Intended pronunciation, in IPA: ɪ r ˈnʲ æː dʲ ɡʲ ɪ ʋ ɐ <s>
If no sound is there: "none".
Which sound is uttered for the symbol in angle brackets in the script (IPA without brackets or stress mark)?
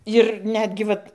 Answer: t